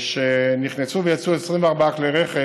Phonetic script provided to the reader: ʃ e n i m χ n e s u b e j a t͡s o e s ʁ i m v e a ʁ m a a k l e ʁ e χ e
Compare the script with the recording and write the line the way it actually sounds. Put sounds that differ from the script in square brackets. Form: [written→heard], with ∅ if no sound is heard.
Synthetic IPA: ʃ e n i [m→∅] χ n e s u [b→v] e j a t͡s [o→u] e s ʁ i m v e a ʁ [m→b] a a k l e ʁ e χ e